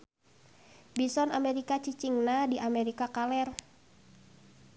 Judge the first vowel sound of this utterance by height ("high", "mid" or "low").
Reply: high